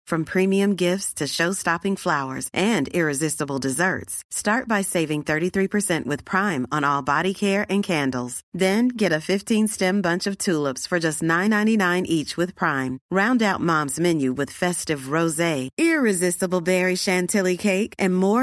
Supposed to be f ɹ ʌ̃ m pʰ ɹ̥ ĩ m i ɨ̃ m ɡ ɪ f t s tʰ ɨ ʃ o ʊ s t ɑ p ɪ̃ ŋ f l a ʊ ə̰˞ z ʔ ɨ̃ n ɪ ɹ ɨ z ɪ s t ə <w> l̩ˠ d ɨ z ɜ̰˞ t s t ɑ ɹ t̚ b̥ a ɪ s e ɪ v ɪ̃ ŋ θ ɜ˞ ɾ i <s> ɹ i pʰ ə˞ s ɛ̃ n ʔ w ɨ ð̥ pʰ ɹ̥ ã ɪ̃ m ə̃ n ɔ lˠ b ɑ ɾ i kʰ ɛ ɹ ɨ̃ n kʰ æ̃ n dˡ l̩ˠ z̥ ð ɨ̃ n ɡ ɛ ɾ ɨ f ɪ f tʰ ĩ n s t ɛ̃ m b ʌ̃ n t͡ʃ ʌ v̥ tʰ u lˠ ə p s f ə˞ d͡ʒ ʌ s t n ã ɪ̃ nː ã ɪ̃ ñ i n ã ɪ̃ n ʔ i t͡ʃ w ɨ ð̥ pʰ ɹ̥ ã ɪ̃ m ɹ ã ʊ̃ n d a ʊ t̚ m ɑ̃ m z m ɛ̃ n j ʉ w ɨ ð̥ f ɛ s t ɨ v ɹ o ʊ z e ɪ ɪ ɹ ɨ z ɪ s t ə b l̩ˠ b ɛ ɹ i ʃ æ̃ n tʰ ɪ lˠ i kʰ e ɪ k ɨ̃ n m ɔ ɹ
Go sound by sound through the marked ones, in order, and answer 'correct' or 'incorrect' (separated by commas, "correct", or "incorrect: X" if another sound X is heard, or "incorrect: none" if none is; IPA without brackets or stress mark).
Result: incorrect: b, incorrect: θ